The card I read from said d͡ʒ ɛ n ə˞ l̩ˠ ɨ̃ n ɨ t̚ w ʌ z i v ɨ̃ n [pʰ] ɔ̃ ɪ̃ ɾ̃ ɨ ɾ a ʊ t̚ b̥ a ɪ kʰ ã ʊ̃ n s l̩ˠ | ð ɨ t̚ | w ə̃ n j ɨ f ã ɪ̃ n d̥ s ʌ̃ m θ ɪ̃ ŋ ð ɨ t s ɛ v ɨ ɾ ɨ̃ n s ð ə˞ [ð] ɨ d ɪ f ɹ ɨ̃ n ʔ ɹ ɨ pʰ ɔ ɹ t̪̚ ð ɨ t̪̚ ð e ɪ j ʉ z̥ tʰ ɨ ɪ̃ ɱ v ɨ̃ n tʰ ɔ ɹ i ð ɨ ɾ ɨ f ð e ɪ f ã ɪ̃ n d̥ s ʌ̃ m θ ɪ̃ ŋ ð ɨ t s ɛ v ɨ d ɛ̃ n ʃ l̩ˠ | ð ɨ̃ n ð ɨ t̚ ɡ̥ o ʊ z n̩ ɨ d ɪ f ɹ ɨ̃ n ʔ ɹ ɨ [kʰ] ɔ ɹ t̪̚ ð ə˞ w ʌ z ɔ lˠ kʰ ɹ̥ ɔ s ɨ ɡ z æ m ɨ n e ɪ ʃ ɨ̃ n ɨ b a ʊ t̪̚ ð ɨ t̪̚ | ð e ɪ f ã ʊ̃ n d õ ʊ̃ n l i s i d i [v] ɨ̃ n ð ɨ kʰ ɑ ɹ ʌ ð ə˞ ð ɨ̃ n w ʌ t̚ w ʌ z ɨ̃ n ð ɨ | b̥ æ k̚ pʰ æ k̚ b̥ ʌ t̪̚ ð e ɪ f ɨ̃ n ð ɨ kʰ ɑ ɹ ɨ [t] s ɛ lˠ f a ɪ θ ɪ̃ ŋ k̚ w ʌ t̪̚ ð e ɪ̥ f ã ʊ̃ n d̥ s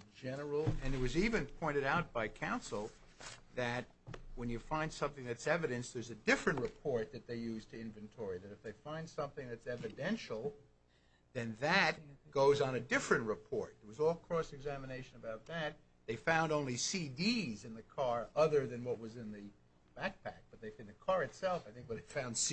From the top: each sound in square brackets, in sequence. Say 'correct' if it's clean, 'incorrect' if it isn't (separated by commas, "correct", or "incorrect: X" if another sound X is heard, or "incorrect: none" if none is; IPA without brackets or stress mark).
correct, incorrect: z, incorrect: pʰ, incorrect: z, correct